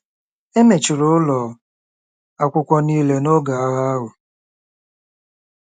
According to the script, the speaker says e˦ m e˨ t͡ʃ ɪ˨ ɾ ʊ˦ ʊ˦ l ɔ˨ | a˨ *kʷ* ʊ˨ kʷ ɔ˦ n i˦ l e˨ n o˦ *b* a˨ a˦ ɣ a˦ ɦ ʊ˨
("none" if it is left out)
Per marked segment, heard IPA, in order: kʷ, ɡ

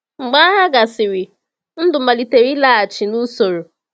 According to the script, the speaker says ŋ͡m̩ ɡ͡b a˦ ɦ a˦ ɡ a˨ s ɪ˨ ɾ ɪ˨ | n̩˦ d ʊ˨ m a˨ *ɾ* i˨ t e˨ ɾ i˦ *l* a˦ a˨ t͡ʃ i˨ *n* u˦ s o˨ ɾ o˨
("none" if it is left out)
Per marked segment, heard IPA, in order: l, l, n

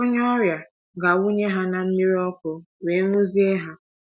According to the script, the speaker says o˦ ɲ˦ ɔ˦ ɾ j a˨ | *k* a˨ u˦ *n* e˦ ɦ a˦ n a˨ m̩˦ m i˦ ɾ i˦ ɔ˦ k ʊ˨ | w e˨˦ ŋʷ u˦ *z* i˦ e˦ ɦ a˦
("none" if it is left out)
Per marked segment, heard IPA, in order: ɡ, ɲ, z

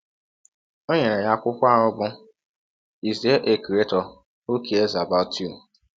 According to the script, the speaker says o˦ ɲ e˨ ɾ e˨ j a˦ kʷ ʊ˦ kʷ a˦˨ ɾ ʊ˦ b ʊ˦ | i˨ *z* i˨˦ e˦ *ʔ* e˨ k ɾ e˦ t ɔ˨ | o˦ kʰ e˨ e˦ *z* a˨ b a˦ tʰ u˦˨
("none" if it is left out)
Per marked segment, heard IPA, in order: z, ʔ, z

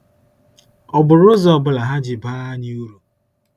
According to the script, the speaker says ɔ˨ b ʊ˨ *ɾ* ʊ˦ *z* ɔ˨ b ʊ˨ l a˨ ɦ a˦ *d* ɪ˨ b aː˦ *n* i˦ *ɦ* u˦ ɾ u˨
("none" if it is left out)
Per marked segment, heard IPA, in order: ɾ, z, d͡ʒ, ɲ, none

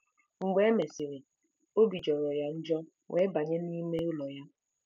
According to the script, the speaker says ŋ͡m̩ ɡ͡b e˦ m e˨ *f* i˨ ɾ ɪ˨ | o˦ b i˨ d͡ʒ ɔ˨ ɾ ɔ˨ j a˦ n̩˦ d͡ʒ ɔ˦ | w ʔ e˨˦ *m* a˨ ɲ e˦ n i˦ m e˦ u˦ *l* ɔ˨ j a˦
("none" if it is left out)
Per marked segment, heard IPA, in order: s, b, l

